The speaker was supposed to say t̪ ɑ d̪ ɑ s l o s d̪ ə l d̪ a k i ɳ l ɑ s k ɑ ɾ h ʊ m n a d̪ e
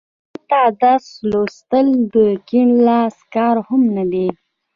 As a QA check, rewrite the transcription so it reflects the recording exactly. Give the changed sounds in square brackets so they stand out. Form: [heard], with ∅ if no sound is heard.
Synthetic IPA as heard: t̪ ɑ d̪ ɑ s l o s [t̪] ə l d̪ [ə] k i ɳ l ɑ s k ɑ ɾ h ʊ m n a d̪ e

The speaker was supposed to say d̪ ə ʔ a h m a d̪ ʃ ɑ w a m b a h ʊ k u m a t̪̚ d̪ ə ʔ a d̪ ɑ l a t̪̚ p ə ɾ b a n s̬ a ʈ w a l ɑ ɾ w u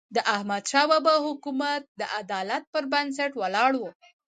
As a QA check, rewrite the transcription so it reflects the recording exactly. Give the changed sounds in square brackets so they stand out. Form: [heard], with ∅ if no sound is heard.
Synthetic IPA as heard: d̪ ə ʔ a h m a d̪ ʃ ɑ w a [∅] b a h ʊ k u m a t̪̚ d̪ ə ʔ a d̪ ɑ l a t̪̚ p ə ɾ b a n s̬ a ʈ w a l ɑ [ɽ] w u

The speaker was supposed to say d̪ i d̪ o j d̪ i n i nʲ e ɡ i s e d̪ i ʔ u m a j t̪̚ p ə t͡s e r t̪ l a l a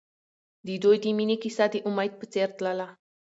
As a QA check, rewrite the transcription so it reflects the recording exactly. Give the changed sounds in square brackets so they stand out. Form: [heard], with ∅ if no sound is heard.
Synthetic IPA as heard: d̪ i d̪ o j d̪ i [m] i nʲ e [k] i s [a] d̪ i ʔ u m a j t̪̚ p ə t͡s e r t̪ l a l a

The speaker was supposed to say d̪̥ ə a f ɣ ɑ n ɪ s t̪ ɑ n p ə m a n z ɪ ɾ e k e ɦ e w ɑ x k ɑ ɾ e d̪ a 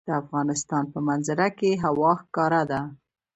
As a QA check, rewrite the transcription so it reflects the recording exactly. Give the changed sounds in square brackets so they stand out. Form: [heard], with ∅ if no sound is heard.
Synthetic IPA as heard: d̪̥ ə a f ɣ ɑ n ɪ s t̪ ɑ n p ə m a n z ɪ ɾ [a] k e ɦ [a] w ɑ x k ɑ ɾ [a] d̪ a

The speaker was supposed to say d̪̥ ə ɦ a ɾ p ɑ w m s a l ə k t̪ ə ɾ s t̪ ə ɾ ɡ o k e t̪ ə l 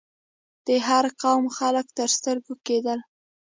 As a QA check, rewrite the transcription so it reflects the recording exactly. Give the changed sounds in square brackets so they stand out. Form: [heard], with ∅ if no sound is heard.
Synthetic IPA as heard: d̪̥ ə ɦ a ɾ [q] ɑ w m [x] a l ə k t̪ ə ɾ s t̪ ə ɾ ɡ o k e [d̪] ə l

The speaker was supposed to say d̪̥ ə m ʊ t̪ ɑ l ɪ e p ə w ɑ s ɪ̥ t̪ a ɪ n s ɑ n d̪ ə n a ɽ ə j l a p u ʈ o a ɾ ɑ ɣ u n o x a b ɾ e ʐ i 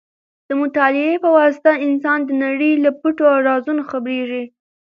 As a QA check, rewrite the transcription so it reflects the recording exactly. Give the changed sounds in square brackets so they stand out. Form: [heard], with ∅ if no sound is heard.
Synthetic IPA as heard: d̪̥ ə m ʊ t̪ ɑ l ɪ e p ə w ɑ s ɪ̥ t̪ a ɪ n s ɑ n d̪ ə n a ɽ ə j l a p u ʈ o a ɾ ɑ [z] u n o x a b ɾ e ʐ i

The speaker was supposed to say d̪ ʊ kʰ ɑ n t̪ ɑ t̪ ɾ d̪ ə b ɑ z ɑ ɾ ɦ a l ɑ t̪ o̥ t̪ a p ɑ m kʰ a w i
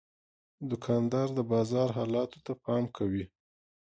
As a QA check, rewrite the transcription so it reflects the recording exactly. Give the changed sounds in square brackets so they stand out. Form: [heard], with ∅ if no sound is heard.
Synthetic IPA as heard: d̪ ʊ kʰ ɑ n [d̪] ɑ [∅] ɾ d̪ ə b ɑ z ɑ ɾ ɦ [ɑ] l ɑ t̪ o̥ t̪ a p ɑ m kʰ a w i

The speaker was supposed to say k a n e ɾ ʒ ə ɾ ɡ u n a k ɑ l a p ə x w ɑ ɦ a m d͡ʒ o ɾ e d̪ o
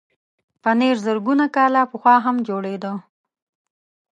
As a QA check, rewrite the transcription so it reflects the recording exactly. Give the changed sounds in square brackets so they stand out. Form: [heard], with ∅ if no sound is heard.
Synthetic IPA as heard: [p] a n e ɾ [z] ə ɾ ɡ u n a k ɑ l a p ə x w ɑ ɦ a m d͡ʒ o [ɽ] e d̪ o

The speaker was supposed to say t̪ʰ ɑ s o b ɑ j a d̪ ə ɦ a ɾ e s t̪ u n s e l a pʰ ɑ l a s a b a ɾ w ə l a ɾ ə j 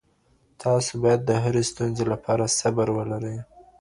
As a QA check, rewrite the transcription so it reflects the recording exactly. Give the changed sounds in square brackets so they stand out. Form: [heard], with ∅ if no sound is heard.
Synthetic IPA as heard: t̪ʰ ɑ s o b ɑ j a [d̪ː] ə ɦ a ɾ e s t̪ u n [z] e l a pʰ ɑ [ɾ] a s a b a ɾ w ə l a ɾ ə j

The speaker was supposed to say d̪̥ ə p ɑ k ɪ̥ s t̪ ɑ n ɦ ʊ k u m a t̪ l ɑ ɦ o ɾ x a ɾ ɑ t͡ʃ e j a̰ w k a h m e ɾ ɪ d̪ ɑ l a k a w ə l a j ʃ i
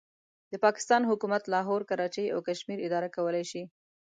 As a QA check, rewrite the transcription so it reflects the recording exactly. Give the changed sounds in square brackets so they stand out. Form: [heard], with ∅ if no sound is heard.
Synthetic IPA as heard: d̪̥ ə p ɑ k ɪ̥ s t̪ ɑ n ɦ ʊ k u m a t̪ l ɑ ɦ o ɾ [k] a ɾ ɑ t͡ʃ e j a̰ w k a [ʃ] m [i] ɾ ɪ d̪ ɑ [ɾ] a k a w ə l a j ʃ i

